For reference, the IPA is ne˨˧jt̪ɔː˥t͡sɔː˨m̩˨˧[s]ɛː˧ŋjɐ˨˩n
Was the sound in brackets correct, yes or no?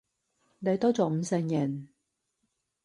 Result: yes